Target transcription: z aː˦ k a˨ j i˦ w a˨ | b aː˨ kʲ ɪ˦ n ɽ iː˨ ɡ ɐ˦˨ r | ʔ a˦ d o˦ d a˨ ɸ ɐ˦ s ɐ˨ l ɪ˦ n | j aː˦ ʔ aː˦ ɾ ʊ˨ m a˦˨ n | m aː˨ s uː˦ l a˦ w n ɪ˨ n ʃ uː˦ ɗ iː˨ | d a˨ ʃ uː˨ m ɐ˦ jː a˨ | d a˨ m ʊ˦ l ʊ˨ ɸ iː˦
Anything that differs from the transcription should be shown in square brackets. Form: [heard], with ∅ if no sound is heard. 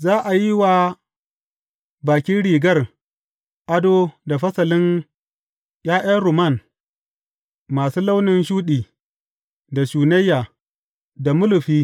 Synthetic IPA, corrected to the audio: z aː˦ [ʔ] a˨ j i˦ w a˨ | b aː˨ kʲ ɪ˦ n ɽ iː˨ ɡ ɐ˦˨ r | ʔ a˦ d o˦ d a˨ ɸ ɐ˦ s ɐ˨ l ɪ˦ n | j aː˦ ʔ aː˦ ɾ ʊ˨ m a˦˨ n | m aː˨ s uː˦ l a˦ w n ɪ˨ n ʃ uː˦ ɗ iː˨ | d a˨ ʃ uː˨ [n] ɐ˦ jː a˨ | d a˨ m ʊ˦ l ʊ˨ ɸ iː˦

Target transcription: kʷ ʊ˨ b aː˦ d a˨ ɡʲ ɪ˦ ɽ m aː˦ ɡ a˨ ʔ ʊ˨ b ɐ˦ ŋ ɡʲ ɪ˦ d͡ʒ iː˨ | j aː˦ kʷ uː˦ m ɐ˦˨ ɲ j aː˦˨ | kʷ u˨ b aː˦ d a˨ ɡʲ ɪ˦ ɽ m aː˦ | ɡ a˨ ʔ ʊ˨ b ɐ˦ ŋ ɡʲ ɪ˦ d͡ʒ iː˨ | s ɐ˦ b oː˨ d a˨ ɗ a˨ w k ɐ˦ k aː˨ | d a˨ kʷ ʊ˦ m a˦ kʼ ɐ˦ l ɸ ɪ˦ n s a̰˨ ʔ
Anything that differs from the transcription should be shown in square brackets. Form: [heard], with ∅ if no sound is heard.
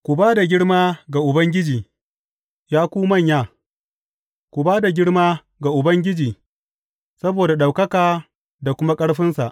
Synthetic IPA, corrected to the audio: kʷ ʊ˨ b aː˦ d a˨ ɡʲ ɪ˦ ɽ m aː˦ ɡ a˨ ʔ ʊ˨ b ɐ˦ ŋ ɡʲ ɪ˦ d͡ʒ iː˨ | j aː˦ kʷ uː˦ m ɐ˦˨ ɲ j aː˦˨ | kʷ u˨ b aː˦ d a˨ ɡʲ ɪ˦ ɽ m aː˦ | ɡ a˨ ʔ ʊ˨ b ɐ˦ ŋ ɡʲ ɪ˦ d͡ʒ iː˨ | s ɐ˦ b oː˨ d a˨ ɗ a˨ w k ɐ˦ k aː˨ | d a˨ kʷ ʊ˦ m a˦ kʼ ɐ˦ [ɽ] ɸ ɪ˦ n s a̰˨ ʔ

